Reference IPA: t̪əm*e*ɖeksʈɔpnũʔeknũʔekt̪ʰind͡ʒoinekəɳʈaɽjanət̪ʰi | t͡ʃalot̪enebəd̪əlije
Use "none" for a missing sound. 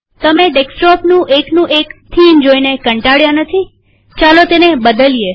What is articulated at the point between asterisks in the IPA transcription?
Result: e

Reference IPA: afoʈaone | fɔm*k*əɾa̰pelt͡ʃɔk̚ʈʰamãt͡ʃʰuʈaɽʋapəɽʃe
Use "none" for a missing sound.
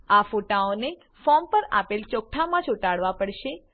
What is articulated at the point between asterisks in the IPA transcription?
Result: p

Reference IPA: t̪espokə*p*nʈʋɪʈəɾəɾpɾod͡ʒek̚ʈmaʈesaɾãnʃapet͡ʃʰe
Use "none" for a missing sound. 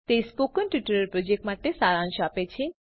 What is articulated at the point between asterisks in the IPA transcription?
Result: none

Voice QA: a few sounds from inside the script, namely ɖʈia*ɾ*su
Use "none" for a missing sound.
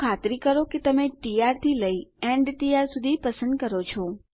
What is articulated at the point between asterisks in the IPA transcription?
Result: ɾ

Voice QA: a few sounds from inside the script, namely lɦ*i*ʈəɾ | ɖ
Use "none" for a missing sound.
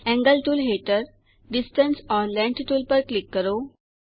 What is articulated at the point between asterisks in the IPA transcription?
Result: e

